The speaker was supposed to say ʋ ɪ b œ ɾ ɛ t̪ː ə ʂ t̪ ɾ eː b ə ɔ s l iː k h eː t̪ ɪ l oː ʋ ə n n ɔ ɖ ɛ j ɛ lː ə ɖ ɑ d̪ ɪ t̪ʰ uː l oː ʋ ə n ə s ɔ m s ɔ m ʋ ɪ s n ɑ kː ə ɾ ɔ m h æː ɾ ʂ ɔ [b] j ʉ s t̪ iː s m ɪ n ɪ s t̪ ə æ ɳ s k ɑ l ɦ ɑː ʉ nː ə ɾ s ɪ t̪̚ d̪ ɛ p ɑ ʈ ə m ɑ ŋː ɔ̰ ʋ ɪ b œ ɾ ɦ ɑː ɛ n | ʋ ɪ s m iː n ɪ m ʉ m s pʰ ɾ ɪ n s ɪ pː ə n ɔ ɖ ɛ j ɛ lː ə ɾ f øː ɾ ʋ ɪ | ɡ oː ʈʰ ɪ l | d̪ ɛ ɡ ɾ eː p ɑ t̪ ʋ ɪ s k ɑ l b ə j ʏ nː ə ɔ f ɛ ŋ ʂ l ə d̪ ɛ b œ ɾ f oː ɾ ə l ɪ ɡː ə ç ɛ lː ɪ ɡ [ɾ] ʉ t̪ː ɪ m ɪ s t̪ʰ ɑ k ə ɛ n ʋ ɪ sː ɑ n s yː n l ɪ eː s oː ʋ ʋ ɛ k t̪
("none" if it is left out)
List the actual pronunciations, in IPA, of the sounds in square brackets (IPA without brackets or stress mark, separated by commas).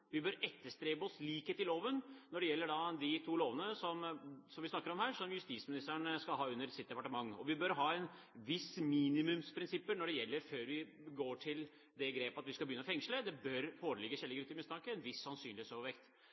m, ɾ